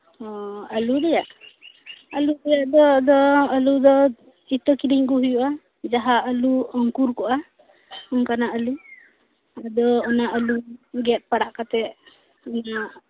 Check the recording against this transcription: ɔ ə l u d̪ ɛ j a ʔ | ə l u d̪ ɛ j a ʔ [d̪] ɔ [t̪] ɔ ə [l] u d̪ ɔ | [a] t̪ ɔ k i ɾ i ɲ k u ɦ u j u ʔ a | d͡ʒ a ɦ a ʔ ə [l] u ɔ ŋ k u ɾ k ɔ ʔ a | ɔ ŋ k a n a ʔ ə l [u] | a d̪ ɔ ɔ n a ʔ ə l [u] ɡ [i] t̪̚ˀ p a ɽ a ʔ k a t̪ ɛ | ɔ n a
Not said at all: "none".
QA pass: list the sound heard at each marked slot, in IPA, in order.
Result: d̪, d̪, l, i, l, u, u, ɛ

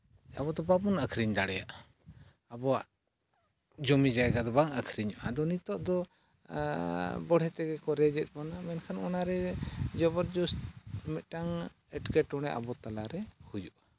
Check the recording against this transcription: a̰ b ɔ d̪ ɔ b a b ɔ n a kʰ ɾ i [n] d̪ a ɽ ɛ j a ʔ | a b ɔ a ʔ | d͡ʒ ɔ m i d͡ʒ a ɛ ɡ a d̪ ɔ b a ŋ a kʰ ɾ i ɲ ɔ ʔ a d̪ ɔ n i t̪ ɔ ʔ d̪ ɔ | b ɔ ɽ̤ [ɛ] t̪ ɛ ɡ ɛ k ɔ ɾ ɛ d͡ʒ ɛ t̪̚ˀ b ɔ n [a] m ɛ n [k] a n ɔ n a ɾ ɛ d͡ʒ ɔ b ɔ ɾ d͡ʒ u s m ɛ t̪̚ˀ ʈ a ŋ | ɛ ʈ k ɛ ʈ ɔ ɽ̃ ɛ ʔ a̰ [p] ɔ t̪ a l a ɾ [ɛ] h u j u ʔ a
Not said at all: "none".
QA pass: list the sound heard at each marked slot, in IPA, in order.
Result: ɲ, ɛ, a, kʰ, b, ɛ

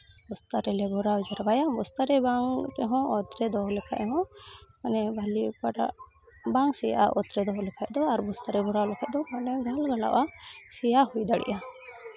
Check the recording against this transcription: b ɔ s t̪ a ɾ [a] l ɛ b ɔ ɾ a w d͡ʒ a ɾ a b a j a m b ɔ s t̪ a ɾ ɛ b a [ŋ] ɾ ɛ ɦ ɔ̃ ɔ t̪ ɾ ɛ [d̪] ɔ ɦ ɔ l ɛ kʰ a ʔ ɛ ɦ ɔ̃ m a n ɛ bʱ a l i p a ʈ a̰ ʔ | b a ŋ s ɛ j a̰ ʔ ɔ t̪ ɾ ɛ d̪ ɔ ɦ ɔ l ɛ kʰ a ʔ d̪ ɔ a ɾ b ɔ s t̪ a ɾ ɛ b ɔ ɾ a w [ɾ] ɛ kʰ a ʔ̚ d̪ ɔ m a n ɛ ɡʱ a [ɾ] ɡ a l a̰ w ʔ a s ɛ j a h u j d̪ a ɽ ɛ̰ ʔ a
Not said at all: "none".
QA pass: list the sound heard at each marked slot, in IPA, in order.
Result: ɛ, ŋ, d̪, l, l

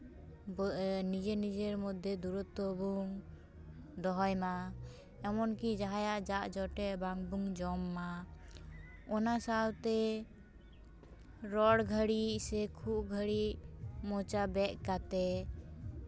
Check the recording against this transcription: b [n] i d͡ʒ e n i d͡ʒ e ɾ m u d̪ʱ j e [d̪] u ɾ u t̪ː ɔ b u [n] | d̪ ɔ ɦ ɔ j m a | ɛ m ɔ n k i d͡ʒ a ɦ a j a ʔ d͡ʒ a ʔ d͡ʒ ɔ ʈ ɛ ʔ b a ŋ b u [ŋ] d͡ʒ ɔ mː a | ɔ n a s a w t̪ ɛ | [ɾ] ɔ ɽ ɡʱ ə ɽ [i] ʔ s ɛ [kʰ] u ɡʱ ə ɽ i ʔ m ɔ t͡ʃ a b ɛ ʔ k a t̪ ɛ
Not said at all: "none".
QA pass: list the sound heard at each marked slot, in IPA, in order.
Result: n, d̪, ŋ, ŋ, ɾ, i, kʰ

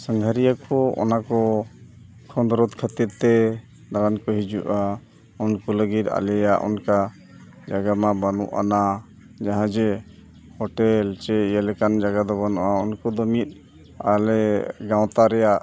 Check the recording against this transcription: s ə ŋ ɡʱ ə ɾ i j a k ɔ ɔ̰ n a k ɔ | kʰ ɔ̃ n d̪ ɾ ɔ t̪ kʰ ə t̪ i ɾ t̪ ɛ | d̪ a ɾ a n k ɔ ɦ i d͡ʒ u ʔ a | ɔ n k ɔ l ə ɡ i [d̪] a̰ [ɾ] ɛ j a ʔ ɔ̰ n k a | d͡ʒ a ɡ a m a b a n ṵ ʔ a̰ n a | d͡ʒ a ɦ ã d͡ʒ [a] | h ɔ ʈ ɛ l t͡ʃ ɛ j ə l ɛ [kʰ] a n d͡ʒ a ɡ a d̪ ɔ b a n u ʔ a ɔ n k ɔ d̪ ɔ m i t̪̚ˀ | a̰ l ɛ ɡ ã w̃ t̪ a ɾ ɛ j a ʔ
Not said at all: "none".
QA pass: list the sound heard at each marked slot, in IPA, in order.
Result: t̪, l, ɛ, k

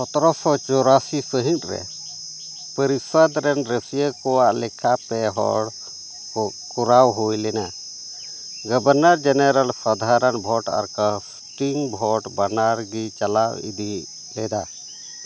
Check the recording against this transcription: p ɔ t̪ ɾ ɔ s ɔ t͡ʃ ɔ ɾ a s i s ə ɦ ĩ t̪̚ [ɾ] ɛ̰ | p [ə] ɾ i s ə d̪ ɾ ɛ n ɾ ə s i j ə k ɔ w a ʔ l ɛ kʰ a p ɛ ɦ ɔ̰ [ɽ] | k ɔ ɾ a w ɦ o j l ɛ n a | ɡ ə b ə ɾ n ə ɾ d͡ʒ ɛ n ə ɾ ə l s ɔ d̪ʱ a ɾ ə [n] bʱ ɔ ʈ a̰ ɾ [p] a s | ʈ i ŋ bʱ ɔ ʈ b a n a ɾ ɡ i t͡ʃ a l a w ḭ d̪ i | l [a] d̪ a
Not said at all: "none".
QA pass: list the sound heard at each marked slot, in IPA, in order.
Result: ɾ, ə, ɽ, n, k, ɛ

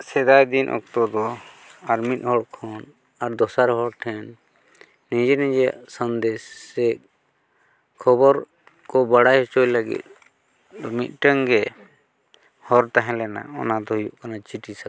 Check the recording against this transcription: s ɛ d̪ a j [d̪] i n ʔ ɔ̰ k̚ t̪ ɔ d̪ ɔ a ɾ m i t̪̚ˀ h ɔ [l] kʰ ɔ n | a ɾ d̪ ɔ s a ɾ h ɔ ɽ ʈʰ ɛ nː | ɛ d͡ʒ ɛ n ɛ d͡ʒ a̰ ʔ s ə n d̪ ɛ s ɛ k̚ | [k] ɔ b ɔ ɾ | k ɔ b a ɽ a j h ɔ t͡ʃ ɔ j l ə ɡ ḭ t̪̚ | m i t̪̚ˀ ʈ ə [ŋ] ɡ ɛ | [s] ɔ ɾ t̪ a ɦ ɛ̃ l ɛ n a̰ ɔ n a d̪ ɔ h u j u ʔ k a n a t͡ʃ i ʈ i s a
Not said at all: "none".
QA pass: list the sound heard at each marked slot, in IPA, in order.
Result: d̪, ɽ, kʰ, ŋ, h

